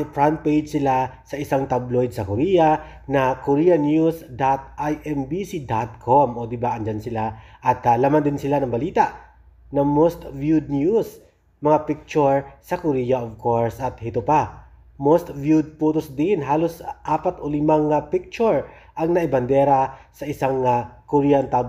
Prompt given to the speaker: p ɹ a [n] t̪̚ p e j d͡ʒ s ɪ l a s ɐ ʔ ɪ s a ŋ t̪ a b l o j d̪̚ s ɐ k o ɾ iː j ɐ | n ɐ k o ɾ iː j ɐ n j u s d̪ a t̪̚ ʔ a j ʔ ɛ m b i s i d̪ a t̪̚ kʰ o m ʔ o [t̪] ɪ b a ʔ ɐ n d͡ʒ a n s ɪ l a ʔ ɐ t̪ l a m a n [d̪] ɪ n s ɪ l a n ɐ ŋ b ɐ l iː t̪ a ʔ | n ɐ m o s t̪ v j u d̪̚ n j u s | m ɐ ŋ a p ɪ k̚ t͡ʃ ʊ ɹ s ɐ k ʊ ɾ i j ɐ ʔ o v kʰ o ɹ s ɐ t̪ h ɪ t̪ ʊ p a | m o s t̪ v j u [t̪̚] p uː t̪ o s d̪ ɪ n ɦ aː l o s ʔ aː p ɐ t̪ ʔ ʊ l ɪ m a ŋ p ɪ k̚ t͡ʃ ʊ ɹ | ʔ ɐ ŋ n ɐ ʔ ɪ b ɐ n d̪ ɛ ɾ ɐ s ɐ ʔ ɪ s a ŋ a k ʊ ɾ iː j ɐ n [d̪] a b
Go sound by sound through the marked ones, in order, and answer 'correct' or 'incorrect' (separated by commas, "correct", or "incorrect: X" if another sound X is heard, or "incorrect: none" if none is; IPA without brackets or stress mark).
correct, incorrect: d̪, correct, incorrect: d̪̚, incorrect: t̪